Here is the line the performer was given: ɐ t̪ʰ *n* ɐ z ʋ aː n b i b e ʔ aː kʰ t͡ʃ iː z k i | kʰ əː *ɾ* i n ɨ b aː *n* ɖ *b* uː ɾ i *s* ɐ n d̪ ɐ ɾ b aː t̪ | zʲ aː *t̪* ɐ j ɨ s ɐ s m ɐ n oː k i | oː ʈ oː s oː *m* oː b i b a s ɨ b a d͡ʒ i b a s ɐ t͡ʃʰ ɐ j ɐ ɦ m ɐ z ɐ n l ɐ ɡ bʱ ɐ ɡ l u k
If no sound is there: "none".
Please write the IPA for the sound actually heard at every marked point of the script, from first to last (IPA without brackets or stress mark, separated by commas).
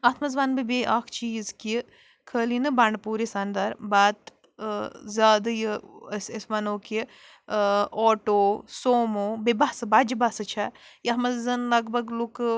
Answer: m, l, ɳ, p, s, d̪, m